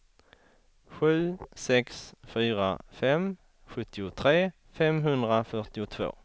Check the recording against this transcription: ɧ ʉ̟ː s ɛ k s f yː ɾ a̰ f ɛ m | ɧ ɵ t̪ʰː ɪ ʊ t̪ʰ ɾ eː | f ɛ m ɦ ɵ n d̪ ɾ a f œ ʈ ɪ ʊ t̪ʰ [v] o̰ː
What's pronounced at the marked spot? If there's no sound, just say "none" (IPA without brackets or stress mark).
v